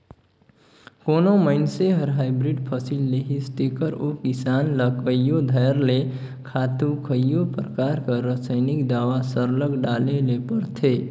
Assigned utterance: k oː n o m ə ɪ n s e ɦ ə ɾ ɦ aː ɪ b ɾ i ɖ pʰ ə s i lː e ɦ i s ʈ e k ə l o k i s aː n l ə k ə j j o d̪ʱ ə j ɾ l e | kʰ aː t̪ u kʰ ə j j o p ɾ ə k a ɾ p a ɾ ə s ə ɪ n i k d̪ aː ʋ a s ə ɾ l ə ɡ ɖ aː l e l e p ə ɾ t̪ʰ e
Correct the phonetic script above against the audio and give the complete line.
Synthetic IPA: k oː n o m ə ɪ n s e ɦ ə ɾ ɦ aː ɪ b ɾ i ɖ pʰ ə s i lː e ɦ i s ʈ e k ə ɾ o k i s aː n l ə k ə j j o d̪ʱ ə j ɾ l e | kʰ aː t̪ u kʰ ə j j o p ɾ ə k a ɾ k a ɾ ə s ə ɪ n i k d̪ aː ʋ a s ə ɾ l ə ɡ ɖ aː l e l e p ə ɾ t̪ʰ e